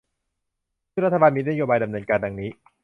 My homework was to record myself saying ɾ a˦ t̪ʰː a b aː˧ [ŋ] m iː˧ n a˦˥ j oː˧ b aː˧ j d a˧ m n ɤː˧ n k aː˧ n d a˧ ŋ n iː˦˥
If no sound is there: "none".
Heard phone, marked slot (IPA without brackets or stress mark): n